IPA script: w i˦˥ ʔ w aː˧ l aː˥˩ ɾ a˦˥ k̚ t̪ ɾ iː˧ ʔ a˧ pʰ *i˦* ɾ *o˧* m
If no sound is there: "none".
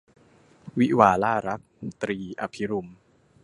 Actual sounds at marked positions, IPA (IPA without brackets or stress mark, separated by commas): i˦, u˧